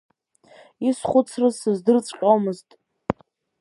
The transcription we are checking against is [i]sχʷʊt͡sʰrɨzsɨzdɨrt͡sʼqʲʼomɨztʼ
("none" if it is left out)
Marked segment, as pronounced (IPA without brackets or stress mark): i